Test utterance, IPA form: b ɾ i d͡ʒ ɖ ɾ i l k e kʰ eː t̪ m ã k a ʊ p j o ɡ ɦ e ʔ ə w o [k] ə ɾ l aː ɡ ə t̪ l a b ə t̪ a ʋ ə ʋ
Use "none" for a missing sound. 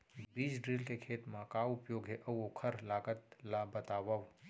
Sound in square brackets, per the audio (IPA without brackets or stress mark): kʰ